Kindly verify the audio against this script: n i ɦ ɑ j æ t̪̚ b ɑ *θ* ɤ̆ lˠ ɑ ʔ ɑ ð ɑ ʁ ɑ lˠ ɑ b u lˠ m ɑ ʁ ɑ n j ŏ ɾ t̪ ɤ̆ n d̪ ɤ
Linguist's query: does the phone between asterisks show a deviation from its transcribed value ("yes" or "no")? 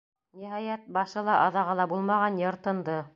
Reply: yes